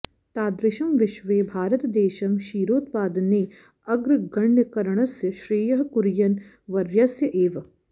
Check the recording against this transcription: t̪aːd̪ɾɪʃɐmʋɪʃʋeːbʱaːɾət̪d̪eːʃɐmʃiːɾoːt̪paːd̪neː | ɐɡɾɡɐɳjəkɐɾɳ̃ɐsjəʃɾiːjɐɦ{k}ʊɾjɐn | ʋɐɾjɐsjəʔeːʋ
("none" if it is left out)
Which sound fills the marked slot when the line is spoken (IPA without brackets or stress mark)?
k